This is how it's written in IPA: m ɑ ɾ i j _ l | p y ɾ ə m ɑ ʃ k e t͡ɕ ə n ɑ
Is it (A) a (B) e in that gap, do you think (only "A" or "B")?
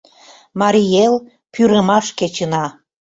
B